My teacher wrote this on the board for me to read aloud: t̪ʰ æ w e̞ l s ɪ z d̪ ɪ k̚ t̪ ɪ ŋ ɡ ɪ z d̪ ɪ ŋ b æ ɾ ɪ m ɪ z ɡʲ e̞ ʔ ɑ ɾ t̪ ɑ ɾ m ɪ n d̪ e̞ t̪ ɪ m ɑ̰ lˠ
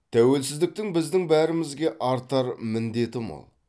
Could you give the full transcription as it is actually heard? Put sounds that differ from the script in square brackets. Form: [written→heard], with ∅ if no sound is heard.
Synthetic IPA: t̪ʰ æ w e̞ l s ɪ z d̪ ɪ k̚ t̪ ɪ ŋ [ɡ→b] ɪ z d̪ ɪ ŋ b æ ɾ ɪ m ɪ z ɡʲ e̞ ʔ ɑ ɾ t̪ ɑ ɾ m ɪ n d̪ e̞ t̪ ɪ m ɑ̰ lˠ